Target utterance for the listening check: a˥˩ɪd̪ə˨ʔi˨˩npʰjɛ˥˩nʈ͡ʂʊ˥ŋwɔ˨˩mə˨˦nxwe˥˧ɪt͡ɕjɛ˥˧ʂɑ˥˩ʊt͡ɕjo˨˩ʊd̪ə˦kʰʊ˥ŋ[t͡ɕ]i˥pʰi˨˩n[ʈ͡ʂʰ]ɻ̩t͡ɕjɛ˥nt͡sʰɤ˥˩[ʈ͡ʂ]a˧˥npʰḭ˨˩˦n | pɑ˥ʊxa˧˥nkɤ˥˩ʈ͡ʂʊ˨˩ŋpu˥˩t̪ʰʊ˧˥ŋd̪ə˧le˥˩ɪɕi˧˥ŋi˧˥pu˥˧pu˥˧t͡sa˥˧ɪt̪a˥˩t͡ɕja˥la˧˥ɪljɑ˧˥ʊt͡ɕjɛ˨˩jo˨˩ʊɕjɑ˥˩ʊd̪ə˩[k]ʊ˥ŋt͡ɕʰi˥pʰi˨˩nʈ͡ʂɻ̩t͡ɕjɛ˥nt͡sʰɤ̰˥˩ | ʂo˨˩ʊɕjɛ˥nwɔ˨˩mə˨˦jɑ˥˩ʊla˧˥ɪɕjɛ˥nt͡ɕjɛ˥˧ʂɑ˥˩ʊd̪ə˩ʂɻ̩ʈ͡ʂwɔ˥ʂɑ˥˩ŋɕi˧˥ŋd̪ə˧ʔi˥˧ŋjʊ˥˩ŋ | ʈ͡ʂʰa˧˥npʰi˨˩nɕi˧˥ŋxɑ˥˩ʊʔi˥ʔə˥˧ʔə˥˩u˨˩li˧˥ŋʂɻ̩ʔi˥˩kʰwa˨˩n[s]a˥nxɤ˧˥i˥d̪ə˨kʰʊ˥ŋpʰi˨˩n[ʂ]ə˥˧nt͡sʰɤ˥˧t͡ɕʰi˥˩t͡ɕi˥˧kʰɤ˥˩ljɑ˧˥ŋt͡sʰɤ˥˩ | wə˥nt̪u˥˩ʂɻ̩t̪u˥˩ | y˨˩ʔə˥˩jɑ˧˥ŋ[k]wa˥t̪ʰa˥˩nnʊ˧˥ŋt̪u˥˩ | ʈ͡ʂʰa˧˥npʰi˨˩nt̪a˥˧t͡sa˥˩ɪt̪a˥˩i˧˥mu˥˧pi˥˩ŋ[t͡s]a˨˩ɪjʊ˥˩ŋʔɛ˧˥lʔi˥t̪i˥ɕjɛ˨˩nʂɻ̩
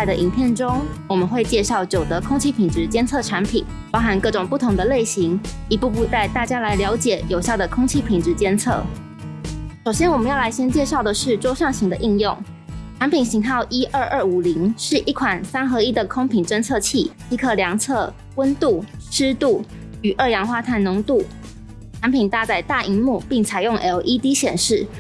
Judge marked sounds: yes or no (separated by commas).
no, no, no, no, yes, no, no, no